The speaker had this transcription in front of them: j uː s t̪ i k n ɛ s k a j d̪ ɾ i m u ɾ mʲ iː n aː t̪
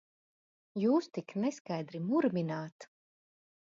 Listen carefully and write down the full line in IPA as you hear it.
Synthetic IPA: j uː s t̪ i k n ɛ s k a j d̪ ɾ i m u ɾ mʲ i n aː t̪